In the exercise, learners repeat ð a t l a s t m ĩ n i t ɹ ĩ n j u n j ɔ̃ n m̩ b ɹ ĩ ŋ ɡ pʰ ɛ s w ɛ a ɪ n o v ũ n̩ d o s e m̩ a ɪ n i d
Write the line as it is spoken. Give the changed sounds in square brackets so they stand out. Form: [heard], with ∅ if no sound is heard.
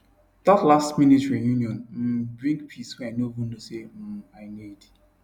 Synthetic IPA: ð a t l a s t m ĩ n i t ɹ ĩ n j u n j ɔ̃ n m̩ b ɹ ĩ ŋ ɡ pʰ [i] s w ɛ a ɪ n o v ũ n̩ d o s e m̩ a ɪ n i d

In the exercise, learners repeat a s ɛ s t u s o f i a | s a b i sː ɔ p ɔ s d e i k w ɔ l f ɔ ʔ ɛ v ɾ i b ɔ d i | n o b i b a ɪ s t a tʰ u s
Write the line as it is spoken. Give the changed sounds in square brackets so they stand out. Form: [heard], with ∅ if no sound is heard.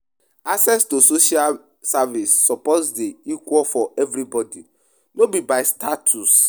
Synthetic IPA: a s ɛ s t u s o [ʃ] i a | s a [v] i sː ɔ p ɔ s d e i k w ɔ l f ɔ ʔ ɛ v ɾ i b ɔ d i | n o b i b a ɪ s t a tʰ u s

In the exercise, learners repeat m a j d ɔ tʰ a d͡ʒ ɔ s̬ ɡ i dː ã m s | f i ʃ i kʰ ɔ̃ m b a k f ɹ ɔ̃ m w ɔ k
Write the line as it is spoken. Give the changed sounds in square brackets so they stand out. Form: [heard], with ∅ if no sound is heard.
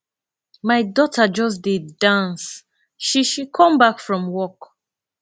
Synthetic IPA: m a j d ɔ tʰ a d͡ʒ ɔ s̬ [d] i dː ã [n] s | [ʃ] i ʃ i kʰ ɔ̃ m b a k f ɹ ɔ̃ m w ɔ k

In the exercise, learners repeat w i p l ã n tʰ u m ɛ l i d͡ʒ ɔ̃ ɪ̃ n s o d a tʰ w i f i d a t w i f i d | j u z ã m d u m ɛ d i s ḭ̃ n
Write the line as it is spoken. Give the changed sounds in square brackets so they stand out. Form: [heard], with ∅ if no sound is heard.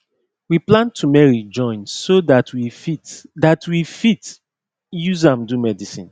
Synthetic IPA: w i p l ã n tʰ u m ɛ [ɹ] i d͡ʒ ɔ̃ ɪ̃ n s o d a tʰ w i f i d a t w i f i [t] | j u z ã m d u m ɛ d i s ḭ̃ n

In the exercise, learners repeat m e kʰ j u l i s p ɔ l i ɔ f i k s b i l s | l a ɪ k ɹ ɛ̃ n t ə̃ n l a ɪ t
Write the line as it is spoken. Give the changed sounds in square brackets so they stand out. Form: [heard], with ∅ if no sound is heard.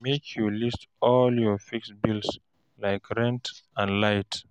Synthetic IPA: m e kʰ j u l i s [t] ɔ l [j] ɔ f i k s b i l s | l a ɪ k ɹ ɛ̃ n t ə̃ n l a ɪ t

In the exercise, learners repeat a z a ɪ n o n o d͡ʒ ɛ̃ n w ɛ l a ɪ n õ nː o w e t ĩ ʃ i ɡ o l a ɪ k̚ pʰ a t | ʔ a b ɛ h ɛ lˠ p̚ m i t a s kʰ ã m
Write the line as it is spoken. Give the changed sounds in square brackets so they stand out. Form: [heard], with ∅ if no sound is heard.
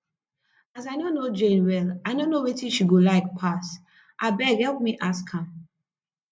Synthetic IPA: a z a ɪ n o n o d͡ʒ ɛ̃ n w ɛ l a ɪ n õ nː o w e t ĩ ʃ i ɡ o l a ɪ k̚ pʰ a [s] | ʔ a b ɛ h ɛ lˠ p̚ m i [ʔ] a s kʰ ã m

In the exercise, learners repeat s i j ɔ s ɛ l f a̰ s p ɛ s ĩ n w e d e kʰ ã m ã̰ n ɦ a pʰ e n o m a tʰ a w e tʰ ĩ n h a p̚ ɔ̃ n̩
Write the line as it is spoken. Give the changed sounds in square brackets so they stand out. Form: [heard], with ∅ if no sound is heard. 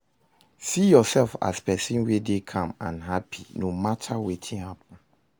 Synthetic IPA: s i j ɔ s ɛ l f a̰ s p ɛ s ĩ n w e d e kʰ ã m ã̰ n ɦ a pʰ [i] n o m a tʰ a w e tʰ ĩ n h a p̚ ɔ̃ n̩

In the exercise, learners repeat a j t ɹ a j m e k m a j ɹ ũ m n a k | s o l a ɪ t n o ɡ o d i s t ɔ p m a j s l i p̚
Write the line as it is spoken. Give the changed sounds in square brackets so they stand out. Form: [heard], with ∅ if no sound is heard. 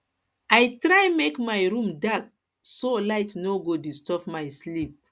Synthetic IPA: a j t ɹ a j m e k m a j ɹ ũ m [d] a k | s o l a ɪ t n o ɡ o d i s t ɔ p m a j s l i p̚

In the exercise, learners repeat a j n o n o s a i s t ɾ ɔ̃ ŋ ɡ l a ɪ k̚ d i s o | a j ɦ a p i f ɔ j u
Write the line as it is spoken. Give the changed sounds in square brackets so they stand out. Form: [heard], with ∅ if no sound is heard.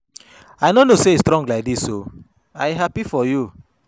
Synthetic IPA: a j n o n o s [e] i s t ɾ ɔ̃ ŋ ɡ l a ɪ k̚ d i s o | a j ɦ a p i f ɔ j u

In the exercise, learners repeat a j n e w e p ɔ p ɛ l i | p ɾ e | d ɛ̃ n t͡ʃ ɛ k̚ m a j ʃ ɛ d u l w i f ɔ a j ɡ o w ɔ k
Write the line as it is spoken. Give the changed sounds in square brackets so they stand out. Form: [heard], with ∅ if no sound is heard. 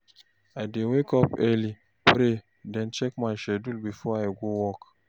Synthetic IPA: a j [d] e w e [k] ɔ p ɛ l i | p ɾ e | d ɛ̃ n t͡ʃ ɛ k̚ m a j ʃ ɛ d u l [b] i f ɔ a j ɡ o w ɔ k

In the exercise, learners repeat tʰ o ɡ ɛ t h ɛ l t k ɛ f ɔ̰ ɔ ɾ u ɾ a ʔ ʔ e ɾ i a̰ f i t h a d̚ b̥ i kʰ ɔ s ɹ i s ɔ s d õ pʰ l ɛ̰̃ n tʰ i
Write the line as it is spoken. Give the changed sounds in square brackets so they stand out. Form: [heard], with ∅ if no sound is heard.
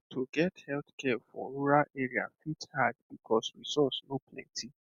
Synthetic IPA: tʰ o ɡ ɛ t h ɛ l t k ɛ f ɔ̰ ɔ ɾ u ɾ a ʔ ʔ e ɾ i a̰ f i t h a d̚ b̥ i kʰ ɔ s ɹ i s ɔ s [n] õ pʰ l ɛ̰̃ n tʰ i

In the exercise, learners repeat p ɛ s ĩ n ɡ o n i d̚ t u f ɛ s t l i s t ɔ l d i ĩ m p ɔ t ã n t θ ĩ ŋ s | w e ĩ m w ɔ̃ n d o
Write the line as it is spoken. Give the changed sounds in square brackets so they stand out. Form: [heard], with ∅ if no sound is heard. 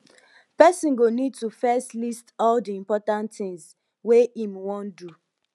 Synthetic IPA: p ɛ s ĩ n ɡ o n i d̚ t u f ɛ s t l i s t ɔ l d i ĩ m p ɔ t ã n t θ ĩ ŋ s | w e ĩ m w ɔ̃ n d [u]

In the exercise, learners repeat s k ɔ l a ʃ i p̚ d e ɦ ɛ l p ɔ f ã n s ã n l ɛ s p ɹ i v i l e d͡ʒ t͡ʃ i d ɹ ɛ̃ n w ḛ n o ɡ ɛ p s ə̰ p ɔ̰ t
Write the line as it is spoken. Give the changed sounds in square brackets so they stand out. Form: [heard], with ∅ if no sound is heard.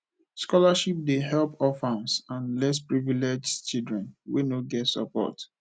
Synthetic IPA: s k ɔ l a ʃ i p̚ d e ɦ ɛ l p ɔ f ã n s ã n l ɛ s p ɹ i v i l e d͡ʒ t͡ʃ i d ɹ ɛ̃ n w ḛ n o ɡ ɛ [t] s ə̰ p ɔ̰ t

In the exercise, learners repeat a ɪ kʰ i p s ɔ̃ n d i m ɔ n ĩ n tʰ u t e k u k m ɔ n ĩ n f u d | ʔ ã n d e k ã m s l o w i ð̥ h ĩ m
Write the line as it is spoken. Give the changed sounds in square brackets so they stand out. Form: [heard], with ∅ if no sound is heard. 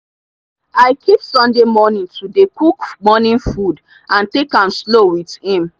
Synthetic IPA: a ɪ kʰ i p s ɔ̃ n d [e] m ɔ n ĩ n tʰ u [d] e k u k m ɔ n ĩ n f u d | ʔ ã n [t] e k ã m s l o w i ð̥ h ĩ m

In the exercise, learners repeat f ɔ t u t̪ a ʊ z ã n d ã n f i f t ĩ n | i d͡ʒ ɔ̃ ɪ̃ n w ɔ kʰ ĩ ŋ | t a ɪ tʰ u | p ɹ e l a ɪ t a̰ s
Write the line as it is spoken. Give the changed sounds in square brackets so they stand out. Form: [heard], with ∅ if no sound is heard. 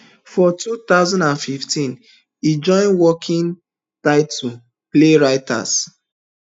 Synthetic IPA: f ɔ t u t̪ a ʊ z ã n d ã n f i f t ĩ n | i d͡ʒ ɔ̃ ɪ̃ n w ɔ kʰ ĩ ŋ | t a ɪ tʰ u | p [l] e [ɹ] a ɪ t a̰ s

